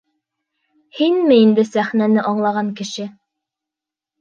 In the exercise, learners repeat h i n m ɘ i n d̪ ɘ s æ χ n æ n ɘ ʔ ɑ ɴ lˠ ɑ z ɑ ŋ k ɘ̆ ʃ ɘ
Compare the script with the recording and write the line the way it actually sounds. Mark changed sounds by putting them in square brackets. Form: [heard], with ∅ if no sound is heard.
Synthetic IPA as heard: h i n m ɘ i n d̪ ɘ s æ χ n æ n ɘ ʔ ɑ ɴ lˠ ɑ [ʁ] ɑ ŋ k ɘ̆ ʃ ɘ